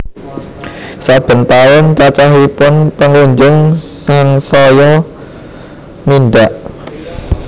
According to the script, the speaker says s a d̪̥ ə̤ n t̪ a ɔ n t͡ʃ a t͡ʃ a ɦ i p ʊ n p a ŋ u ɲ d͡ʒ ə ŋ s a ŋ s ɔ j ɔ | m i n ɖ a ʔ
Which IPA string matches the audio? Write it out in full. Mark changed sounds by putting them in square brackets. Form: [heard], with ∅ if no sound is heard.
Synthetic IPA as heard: s a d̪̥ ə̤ n t̪ a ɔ n t͡ʃ a t͡ʃ a ɦ i p ʊ n p [ə] ŋ u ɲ d͡ʒ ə ŋ s a ŋ s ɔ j ɔ | m i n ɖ a ʔ